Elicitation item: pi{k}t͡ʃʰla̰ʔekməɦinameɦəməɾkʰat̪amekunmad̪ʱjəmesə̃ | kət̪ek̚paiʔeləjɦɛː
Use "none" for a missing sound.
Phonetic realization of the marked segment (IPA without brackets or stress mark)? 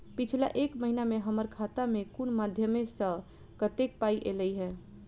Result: none